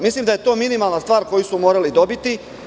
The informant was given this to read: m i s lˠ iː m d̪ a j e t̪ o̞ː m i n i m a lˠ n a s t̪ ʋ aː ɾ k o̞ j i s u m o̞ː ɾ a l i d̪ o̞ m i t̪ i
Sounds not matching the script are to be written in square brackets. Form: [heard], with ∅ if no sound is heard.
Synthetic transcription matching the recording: m i s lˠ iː m d̪ a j e t̪ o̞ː m i n i m a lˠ n a s t̪ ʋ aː ɾ k o̞ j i s u m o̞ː ɾ a l i d̪ o̞ [b] i t̪ i

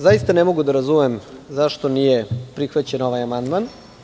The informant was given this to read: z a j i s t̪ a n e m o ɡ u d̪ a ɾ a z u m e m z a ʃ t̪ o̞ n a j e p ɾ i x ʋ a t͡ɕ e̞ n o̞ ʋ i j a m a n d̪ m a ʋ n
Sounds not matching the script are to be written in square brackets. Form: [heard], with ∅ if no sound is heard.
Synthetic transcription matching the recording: z a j i s t̪ a n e m o ɡ u d̪ a ɾ a z u m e m z a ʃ t̪ o̞ n [i] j e p ɾ i x ʋ a t͡ɕ e̞ n o̞ ʋ [a] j a m a n d̪ m a [∅] n

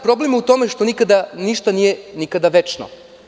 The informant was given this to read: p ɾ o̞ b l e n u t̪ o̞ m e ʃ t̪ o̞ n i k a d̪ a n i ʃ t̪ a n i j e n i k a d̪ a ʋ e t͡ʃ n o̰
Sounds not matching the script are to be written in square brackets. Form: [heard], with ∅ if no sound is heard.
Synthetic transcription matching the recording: p ɾ o̞ b l e [m] u t̪ o̞ m e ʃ t̪ o̞ n i k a d̪ a n i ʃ t̪ a n i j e n i k a d̪ a ʋ e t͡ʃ n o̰

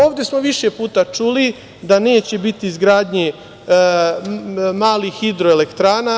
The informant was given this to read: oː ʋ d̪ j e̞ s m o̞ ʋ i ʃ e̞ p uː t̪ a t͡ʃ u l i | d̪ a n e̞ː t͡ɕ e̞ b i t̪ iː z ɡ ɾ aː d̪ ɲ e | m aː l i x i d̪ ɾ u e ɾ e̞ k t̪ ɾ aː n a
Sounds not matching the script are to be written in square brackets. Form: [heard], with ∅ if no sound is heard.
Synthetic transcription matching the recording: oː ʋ d̪ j e̞ s m o̞ ʋ i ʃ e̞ p uː t̪ a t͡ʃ u l i | d̪ a n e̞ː t͡ɕ e̞ b i t̪ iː z ɡ ɾ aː d̪ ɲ e | m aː l i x i d̪ ɾ [o] e [l] e̞ k t̪ ɾ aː n a

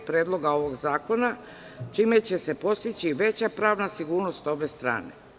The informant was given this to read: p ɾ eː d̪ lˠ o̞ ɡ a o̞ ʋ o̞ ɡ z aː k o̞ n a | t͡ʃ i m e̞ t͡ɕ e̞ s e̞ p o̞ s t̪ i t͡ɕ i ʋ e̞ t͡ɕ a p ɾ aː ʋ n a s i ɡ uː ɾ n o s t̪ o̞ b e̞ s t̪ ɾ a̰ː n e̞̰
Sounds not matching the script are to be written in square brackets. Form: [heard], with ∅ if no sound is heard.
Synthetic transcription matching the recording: p ɾ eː d̪ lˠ o̞ ɡ a o̞ ʋ o̞ ɡ z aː k o̞ n a | t͡ʃ i m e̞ t͡ɕ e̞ s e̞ p o̞ s t̪ i t͡ɕ i ʋ e̞ t͡ɕ a p ɾ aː ʋ n a s i ɡ uː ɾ n o s t̪ o̞ b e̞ s t̪ ɾ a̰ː n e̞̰

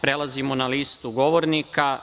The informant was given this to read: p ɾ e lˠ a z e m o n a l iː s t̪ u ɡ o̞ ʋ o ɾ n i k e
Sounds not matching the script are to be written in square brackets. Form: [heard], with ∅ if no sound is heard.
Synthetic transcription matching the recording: p ɾ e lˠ a z [i] m o n a l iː s t̪ u ɡ o̞ ʋ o ɾ n i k [a]

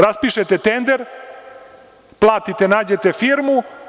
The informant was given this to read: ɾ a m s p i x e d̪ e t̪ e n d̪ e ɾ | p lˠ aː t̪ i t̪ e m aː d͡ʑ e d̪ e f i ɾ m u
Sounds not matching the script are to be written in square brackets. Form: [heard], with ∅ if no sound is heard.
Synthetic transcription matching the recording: ɾ a [∅] s p i [ʃ] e [t̪] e t̪ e n d̪ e ɾ | p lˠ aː t̪ i t̪ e [n] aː d͡ʑ e [t̪] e f i ɾ m u

